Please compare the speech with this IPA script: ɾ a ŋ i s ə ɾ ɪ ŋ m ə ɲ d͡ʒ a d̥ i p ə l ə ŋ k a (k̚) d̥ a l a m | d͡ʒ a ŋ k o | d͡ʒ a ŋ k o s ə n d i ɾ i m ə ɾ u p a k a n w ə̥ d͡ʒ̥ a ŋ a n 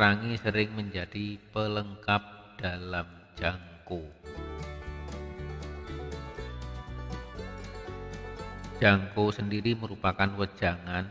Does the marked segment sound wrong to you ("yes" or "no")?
yes